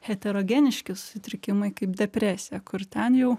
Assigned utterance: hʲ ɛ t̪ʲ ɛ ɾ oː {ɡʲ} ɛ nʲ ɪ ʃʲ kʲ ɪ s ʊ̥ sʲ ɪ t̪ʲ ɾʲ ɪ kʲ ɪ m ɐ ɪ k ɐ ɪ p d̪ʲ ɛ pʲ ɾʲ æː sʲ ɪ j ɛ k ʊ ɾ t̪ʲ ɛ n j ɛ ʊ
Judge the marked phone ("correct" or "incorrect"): correct